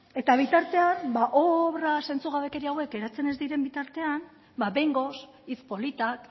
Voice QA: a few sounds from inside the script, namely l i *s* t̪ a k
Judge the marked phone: incorrect: none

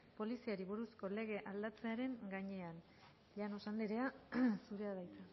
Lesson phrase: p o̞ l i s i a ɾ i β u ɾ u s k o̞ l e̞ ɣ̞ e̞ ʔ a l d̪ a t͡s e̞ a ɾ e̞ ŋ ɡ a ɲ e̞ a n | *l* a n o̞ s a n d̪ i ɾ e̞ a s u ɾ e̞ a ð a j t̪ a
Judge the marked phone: incorrect: ʎ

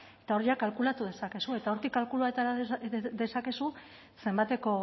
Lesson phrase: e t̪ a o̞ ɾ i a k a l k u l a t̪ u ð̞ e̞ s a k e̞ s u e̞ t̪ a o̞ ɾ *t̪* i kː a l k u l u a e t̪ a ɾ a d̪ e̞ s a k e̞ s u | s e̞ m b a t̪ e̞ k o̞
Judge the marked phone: correct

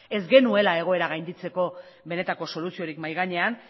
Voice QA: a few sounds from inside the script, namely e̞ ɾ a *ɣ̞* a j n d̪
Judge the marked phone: correct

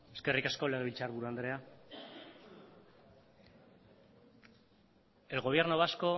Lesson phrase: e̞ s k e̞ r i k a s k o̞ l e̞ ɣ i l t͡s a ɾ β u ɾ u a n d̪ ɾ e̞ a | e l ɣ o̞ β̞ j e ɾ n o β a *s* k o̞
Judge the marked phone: correct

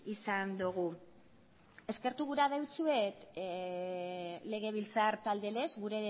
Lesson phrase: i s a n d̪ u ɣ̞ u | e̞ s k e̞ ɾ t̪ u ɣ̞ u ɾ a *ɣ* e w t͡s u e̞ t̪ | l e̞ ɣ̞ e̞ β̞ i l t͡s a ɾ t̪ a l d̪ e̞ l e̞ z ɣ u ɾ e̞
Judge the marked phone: incorrect: ð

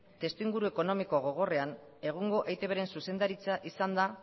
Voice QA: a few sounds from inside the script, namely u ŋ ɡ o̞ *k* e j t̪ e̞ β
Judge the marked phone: incorrect: ʔ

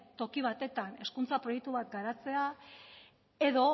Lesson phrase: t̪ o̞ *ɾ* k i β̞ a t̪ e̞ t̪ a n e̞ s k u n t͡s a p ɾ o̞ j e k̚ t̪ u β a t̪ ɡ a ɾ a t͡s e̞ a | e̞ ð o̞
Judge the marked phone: incorrect: none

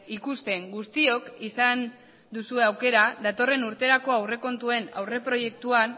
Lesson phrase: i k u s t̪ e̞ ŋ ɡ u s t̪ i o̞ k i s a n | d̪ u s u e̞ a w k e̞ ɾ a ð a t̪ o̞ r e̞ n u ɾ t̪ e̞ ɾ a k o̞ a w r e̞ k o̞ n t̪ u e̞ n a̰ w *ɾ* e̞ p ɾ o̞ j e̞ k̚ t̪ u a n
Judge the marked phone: incorrect: r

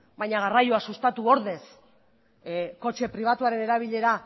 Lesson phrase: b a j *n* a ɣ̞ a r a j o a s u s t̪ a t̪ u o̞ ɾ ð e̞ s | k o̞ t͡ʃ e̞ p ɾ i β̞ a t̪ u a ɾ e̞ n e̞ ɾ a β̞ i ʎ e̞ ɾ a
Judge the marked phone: incorrect: ɲ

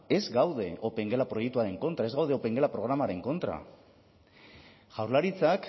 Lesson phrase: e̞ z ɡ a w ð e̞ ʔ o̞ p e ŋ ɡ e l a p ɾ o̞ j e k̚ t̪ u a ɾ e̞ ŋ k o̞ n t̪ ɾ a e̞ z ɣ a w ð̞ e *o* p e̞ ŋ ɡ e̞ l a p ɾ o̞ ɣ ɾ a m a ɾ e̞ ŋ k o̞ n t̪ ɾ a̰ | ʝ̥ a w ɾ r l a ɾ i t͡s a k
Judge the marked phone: correct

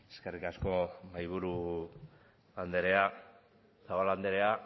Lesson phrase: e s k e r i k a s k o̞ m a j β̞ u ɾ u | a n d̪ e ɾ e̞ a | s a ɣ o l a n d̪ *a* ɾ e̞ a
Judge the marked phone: incorrect: e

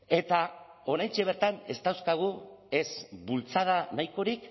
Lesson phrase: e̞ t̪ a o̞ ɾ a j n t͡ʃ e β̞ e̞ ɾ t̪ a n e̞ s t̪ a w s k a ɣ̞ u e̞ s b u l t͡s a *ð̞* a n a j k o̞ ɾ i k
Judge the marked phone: correct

